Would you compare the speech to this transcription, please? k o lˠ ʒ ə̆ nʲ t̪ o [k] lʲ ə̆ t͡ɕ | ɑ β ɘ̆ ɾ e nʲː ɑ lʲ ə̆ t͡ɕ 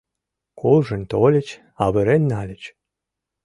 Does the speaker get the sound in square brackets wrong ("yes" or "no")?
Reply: yes